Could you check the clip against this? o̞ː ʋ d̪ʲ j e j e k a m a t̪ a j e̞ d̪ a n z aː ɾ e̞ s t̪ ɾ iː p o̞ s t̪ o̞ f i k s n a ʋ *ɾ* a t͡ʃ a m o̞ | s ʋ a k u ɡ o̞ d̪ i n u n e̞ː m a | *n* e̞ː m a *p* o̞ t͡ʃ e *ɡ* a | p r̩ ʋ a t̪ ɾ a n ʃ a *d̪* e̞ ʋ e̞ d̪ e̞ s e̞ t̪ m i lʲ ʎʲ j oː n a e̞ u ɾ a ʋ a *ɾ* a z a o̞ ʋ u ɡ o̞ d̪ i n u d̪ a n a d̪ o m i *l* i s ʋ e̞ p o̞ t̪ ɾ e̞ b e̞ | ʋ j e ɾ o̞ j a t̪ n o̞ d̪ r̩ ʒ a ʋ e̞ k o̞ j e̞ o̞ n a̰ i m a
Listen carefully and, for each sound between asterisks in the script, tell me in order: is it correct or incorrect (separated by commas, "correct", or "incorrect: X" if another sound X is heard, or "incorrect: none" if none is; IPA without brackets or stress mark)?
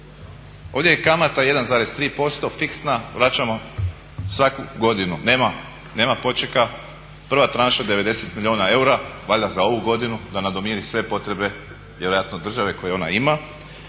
correct, correct, correct, incorrect: k, correct, incorrect: ʎ, incorrect: ɾ